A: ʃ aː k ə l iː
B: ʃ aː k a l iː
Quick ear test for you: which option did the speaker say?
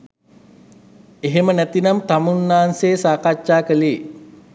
A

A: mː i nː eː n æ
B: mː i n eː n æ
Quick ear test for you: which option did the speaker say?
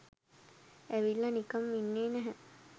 A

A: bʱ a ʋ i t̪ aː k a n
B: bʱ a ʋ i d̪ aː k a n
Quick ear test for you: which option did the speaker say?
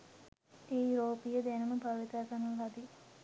A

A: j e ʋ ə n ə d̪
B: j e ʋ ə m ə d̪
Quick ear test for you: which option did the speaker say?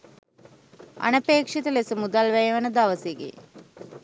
A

